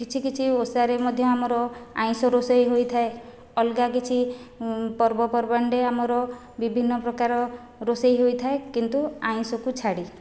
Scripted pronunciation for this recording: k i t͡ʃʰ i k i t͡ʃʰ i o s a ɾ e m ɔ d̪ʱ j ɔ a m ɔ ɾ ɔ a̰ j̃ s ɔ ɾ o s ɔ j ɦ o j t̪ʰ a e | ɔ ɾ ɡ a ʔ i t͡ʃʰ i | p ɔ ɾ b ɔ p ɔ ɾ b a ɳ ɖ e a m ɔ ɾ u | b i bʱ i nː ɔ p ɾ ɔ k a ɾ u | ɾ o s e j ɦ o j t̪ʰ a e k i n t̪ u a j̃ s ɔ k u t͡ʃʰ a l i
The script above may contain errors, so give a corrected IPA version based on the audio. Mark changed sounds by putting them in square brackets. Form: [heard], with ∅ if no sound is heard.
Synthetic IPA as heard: k i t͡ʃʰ i k i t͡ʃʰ i o s a ɾ e m ɔ d̪ʱ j ɔ a m ɔ ɾ ɔ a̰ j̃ s ɔ ɾ o s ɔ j ɦ o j t̪ʰ a e | ɔ [l] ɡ a [k] i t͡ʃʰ i | p ɔ ɾ b ɔ p ɔ ɾ b a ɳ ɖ e a m ɔ ɾ [ɔ] | b i bʱ i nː ɔ p ɾ ɔ k a ɾ [ɔ] | ɾ o s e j ɦ o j t̪ʰ a e k i n t̪ u a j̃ s ɔ k u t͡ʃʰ a [ɽ] i